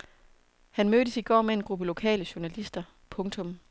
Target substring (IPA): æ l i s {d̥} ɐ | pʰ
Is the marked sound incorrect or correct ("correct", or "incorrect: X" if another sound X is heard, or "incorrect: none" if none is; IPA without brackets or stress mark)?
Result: correct